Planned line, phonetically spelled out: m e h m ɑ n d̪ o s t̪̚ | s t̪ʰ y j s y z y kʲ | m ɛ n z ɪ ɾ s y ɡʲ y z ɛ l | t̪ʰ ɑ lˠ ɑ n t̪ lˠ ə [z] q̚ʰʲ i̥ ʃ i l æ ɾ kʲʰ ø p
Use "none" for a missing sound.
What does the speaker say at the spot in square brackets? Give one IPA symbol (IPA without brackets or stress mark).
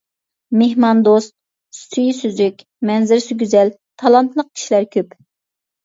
none